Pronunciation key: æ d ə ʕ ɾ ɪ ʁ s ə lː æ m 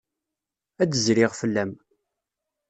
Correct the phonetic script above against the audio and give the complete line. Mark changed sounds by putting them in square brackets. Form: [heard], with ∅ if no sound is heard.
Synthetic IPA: æ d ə [z] ɾ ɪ ʁ [f] ə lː æ m